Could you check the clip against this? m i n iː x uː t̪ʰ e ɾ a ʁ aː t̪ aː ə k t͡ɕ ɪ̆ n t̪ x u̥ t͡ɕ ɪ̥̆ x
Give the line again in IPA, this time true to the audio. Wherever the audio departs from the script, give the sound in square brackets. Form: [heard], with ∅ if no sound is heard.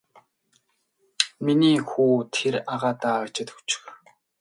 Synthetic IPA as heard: m i n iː x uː t̪ʰ e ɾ a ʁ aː t̪ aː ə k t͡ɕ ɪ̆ [∅] t̪ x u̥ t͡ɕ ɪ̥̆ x